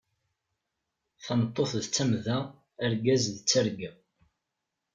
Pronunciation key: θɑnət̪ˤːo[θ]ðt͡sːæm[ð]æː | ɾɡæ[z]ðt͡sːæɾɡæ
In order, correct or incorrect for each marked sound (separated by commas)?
correct, correct, correct